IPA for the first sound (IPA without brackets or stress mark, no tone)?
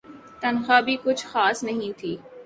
t̪